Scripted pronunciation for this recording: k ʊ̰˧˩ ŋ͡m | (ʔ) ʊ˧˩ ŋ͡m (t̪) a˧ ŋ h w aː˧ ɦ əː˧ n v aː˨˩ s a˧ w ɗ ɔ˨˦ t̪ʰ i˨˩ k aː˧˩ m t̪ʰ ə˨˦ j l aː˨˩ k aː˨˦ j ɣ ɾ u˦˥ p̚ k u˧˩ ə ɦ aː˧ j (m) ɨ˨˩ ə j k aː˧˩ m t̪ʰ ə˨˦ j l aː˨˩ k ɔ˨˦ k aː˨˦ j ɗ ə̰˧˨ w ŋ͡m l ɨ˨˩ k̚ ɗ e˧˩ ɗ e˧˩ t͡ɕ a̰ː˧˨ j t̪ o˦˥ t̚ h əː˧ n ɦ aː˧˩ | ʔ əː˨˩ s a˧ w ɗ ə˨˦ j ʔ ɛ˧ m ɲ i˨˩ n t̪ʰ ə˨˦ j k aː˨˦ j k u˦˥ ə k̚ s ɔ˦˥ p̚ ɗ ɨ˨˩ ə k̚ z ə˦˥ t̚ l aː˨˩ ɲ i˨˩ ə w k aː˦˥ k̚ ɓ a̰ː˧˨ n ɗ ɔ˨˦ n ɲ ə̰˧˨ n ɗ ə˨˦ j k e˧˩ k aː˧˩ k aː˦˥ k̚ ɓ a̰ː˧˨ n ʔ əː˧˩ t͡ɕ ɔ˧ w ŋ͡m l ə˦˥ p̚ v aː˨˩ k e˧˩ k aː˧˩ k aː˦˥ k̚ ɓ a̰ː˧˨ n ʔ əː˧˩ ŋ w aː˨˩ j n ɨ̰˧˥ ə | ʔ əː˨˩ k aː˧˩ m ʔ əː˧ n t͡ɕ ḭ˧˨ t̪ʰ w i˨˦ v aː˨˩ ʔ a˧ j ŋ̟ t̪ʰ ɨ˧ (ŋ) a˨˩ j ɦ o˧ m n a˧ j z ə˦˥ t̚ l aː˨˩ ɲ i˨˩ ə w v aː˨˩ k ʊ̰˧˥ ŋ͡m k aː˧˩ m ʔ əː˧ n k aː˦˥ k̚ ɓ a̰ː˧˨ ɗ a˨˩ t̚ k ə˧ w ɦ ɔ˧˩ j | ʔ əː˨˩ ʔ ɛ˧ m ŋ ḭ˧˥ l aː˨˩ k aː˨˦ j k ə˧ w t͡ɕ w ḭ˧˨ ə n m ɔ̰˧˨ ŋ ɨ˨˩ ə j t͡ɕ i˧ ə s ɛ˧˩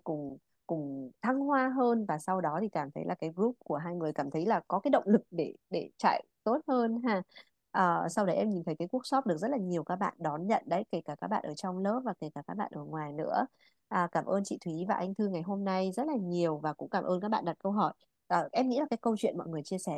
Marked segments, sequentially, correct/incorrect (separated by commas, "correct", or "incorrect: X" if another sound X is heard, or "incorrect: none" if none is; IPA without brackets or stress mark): incorrect: k, incorrect: t̪ʰ, incorrect: ŋ, correct